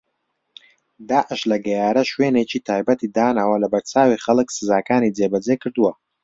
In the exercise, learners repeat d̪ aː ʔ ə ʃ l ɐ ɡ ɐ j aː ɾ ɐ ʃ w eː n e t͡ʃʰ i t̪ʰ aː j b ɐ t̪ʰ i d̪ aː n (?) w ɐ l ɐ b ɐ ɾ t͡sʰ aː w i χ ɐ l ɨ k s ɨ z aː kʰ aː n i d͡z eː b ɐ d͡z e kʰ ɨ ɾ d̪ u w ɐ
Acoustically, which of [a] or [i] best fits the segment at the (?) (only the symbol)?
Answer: a